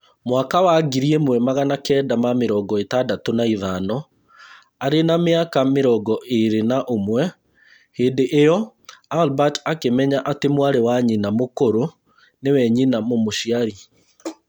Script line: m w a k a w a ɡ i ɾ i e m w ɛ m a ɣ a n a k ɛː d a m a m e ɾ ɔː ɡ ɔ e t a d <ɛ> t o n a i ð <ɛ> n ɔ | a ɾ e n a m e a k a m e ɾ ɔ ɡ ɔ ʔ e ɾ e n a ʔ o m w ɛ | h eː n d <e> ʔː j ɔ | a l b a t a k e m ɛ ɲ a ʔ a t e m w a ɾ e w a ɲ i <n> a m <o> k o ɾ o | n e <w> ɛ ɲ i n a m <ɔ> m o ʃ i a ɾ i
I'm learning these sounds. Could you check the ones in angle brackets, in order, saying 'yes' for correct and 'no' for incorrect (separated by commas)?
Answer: no, no, yes, yes, yes, yes, no